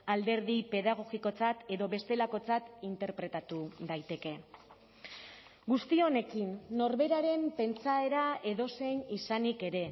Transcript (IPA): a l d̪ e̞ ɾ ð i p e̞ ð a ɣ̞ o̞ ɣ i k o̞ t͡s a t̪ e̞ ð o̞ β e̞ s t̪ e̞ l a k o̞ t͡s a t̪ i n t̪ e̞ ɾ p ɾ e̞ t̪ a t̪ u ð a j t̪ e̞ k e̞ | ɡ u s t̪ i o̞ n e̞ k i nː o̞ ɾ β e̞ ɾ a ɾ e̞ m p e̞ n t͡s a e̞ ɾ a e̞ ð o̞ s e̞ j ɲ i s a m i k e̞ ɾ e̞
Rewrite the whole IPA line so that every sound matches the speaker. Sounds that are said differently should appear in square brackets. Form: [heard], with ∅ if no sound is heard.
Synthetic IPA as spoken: a l d̪ e̞ ɾ ð i p e̞ ð a ɣ̞ o̞ ɣ i k o̞ t͡s a t̪ e̞ ð o̞ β e̞ s t̪ e̞ l a k o̞ t͡s a t̪ i n t̪ e̞ ɾ p ɾ e̞ t̪ a t̪ u ð a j t̪ e̞ k e̞ | ɡ u s t̪ i o̞ n e̞ k i nː o̞ ɾ β e̞ ɾ a ɾ e̞ m p e̞ n t͡s a e̞ ɾ a e̞ ð o̞ s e̞ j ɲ i s a [n] i k e̞ ɾ e̞

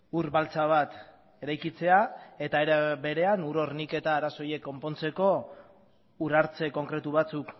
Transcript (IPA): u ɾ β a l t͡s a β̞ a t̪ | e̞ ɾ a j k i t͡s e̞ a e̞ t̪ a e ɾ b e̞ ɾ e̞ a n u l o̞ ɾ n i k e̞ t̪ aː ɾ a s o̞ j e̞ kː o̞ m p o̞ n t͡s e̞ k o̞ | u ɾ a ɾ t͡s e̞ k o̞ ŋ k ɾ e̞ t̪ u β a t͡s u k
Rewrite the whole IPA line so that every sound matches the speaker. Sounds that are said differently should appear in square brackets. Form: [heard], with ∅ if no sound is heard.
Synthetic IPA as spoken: u ɾ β a l t͡s a β̞ a t̪ | e̞ ɾ a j k i t͡s e̞ a e̞ t̪ a e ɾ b e̞ ɾ e̞ a n u [ɾ] o̞ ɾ n i k e̞ t̪ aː ɾ a s o̞ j e̞ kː o̞ m p o̞ n t͡s e̞ k o̞ | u ɾ a ɾ t͡s e̞ k o̞ ŋ k ɾ e̞ t̪ u β a t͡s u k

